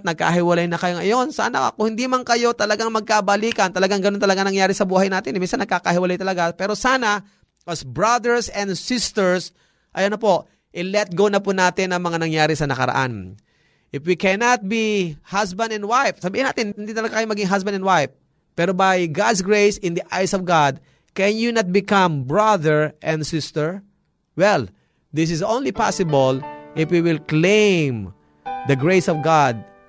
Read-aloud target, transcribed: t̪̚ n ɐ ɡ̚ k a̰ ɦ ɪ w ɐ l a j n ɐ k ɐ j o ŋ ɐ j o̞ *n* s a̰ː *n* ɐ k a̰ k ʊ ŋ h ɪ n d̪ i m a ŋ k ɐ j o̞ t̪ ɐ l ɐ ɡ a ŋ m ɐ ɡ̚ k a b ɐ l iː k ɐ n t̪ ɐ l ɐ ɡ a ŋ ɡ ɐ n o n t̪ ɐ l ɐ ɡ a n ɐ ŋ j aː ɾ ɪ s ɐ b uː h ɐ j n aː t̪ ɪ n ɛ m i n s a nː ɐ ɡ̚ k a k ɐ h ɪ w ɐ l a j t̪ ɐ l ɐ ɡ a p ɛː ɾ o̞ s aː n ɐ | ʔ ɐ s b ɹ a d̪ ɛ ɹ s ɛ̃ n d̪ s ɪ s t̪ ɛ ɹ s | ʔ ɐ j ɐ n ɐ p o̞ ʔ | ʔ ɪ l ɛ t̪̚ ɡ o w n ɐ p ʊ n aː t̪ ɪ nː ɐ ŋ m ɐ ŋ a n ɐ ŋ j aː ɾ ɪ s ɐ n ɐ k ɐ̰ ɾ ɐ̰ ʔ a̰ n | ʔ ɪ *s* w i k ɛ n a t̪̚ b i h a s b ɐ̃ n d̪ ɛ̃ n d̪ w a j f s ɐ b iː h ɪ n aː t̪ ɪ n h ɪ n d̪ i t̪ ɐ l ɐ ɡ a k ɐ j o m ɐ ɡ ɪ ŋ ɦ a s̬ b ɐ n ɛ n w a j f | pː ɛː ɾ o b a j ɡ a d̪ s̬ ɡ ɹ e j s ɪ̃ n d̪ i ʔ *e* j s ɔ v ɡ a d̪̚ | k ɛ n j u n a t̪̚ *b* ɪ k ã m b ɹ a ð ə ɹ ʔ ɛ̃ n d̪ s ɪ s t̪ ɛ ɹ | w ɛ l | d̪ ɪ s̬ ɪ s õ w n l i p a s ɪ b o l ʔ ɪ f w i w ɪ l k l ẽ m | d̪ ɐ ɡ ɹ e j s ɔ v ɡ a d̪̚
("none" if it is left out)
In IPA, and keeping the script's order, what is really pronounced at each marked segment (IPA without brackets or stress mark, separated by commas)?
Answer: n, n, f, a, b